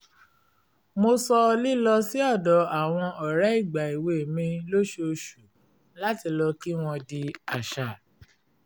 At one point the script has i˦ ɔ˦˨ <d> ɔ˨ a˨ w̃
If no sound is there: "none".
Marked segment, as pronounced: d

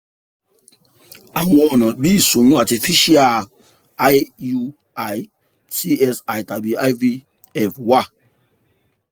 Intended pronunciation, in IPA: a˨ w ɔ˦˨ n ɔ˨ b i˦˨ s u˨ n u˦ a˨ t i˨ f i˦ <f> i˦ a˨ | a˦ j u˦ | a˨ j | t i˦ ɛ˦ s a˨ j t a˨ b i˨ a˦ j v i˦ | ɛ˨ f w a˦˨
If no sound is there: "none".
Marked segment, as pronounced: ʃ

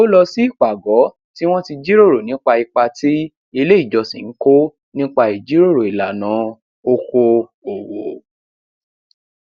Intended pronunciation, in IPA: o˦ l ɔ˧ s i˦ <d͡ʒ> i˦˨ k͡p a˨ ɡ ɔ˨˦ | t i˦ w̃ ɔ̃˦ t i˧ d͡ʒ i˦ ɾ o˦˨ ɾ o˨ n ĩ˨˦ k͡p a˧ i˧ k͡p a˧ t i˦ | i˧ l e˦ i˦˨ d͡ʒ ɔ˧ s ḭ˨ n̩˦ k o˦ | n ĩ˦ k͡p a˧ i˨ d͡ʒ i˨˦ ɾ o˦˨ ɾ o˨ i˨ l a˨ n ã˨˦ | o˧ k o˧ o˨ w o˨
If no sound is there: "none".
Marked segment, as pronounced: none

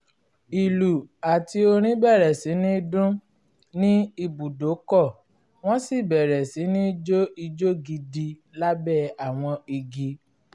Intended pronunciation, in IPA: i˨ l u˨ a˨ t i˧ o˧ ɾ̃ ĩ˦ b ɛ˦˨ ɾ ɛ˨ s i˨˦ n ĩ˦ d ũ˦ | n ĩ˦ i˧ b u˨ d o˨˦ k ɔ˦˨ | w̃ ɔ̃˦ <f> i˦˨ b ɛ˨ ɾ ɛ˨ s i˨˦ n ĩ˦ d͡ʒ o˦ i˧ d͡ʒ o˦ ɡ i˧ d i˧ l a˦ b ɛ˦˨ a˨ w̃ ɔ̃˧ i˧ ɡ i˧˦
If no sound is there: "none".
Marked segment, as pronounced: s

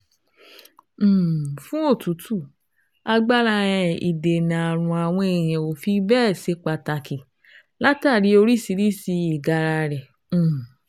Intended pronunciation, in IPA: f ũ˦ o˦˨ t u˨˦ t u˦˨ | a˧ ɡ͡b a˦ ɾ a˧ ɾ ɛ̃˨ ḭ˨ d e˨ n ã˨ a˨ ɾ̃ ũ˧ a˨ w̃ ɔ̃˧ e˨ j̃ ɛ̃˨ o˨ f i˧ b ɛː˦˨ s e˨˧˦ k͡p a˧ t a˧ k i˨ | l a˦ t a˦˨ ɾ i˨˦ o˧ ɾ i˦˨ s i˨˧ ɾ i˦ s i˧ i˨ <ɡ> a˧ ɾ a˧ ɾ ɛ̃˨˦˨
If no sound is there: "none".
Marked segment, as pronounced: ɡ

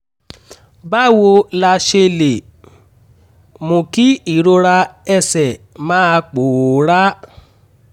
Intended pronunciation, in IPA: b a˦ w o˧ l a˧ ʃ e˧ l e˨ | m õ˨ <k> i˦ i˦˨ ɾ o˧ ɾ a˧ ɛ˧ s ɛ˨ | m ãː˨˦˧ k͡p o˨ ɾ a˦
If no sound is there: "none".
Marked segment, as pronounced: k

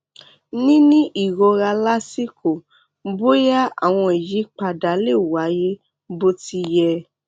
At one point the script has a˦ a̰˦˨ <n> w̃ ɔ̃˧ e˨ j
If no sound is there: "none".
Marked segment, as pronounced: none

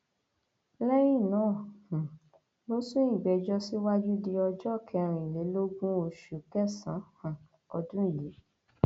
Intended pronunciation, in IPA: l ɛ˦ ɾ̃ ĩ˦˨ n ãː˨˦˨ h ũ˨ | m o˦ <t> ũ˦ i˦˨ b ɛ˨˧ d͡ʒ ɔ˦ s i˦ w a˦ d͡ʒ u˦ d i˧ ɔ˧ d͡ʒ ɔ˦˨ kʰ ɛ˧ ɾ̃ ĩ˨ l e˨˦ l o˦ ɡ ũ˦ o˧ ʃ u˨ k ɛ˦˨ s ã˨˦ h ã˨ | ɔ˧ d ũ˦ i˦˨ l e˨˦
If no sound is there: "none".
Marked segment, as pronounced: s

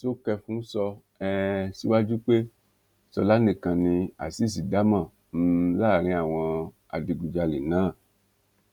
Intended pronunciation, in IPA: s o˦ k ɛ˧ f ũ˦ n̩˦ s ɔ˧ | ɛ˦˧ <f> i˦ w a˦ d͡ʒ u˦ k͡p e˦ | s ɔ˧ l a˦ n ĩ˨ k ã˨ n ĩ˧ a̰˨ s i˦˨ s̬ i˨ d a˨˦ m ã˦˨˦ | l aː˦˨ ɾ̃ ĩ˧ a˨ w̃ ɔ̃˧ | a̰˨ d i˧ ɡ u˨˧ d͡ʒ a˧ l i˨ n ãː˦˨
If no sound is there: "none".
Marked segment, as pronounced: s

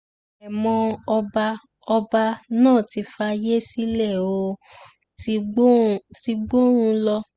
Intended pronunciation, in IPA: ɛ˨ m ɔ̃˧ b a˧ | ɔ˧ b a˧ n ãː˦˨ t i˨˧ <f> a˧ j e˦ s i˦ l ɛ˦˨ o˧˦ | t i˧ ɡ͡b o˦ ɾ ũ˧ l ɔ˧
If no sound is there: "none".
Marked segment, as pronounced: f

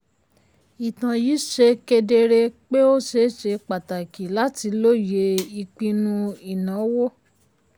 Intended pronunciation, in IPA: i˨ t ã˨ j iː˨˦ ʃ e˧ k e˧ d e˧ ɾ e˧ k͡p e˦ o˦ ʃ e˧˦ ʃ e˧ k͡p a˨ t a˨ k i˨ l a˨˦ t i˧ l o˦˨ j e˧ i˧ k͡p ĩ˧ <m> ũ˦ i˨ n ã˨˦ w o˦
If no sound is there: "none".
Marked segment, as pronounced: n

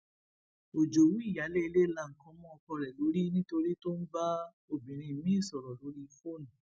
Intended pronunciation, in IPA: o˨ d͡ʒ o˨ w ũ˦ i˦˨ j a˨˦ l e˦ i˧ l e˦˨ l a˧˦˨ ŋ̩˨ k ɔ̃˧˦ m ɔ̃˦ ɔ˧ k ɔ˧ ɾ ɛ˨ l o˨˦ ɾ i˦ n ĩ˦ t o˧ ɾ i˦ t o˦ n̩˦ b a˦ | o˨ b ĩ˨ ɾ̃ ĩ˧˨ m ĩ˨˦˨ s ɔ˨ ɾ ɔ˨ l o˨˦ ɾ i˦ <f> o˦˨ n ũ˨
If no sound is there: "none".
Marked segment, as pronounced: f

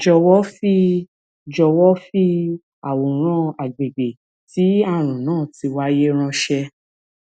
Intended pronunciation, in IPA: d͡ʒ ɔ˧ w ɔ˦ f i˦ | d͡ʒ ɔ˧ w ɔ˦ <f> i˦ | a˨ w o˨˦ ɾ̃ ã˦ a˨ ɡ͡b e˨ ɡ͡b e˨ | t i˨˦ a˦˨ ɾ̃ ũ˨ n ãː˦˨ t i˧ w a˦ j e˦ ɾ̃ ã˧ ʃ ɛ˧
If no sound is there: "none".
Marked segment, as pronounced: f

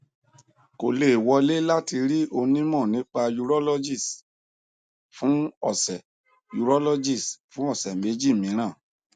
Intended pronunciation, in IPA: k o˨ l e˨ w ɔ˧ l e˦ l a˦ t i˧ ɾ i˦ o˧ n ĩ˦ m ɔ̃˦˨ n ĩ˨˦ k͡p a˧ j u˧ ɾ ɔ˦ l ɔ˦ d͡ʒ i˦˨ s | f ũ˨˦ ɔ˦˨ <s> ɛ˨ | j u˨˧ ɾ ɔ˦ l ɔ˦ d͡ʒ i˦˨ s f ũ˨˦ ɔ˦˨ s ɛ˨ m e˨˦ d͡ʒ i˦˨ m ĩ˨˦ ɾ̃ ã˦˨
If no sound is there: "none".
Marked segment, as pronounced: s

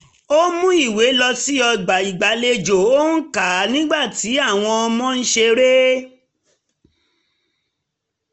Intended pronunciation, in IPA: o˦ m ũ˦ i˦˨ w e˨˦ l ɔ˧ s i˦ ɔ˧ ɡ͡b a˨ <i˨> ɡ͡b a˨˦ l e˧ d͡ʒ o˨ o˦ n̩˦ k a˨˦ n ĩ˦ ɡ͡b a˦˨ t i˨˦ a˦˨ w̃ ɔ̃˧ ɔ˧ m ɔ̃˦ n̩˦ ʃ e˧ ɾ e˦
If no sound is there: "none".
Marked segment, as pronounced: i˨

